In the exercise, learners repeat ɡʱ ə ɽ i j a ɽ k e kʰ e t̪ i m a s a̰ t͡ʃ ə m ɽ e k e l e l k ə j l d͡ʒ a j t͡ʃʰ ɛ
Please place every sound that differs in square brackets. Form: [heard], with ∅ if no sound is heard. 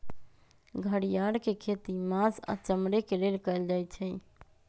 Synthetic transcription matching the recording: ɡʱ ə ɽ i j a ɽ k e kʰ e t̪ i m a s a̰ t͡ʃ ə m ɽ e k e l e l k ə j l d͡ʒ a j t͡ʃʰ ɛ